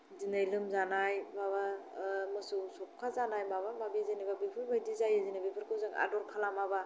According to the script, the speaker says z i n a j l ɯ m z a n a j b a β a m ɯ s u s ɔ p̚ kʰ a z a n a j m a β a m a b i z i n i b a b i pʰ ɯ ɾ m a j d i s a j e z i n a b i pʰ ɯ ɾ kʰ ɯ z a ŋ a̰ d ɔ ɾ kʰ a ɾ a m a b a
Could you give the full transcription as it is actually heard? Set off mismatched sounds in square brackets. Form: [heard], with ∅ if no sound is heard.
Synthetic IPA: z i n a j l ɯ m z a n a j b a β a m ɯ s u s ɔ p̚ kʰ a z a n a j m a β a m a b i z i n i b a b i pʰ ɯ ɾ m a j d i [z] a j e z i n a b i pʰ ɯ ɾ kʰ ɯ z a ŋ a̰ d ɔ ɾ kʰ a [l] a m a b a